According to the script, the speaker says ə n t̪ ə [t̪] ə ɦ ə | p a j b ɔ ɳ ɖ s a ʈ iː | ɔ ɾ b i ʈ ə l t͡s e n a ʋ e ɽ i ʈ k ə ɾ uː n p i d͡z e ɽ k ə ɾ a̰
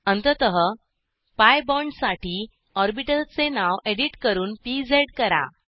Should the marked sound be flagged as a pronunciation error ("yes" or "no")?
no